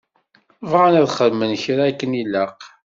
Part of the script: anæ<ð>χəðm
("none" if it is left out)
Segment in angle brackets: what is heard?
ð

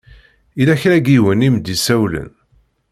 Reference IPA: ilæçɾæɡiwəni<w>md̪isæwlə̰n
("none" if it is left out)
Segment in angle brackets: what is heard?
none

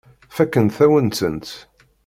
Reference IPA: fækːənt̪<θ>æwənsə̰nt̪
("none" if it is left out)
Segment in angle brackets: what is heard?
θ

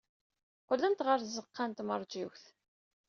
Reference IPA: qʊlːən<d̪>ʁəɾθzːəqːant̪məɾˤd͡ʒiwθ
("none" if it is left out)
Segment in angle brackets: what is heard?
t̪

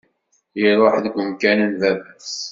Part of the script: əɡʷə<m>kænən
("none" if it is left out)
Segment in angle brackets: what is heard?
m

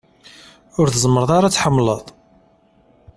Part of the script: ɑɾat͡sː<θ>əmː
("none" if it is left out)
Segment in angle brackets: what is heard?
ħ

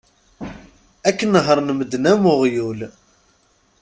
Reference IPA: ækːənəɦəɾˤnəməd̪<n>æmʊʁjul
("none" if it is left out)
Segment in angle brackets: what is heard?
n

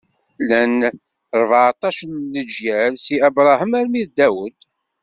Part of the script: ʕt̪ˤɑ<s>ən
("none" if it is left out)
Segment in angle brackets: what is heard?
ʃ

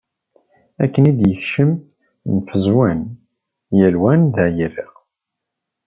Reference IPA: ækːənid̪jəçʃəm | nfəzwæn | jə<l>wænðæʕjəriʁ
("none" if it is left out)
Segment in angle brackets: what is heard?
l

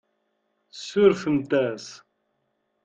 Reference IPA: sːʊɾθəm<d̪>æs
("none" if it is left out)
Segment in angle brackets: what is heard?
t̪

